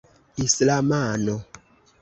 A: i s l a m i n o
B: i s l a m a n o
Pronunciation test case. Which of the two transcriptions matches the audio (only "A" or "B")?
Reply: B